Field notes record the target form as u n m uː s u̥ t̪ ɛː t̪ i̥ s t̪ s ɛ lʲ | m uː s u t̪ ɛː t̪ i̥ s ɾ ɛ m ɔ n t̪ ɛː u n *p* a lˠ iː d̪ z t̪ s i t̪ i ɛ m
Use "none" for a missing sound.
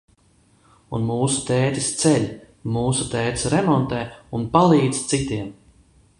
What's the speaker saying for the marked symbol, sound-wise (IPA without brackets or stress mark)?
p